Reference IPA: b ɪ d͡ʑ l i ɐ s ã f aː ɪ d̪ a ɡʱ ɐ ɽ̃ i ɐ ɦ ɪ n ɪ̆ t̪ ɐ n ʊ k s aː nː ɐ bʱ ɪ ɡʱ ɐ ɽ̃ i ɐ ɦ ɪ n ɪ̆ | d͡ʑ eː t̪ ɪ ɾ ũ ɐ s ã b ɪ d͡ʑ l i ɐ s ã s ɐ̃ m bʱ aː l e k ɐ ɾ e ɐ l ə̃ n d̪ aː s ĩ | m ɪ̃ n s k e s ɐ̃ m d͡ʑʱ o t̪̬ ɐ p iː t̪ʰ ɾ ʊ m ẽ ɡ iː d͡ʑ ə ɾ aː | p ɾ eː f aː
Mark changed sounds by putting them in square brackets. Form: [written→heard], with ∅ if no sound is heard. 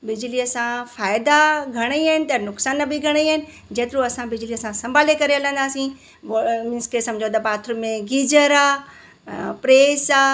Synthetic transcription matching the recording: b ɪ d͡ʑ l i ɐ s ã f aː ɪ d̪ a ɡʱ ɐ ɽ̃ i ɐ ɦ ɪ n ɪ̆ t̪ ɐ n ʊ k s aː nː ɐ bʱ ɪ ɡʱ ɐ ɽ̃ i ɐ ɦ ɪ n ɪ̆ | d͡ʑ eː t̪ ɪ ɾ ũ ɐ s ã b ɪ d͡ʑ l i ɐ s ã s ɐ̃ m bʱ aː l e k ɐ ɾ e ɐ l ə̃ n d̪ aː s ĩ | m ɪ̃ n s k e s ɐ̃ m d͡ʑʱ o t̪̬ ɐ p [iː→aː] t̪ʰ ɾ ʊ m ẽ ɡ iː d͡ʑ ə ɾ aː | p ɾ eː [f→s] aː